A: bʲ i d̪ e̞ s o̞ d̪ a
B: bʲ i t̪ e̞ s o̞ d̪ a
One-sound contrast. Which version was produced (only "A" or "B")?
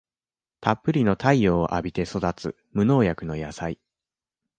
B